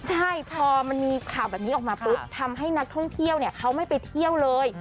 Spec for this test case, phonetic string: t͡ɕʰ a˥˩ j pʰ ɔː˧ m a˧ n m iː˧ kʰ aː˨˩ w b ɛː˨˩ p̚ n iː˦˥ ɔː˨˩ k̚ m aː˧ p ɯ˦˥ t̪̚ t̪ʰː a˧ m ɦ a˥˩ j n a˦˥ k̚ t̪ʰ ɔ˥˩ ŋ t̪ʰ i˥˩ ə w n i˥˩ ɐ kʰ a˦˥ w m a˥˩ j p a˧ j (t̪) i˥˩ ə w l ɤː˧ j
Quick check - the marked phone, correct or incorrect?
incorrect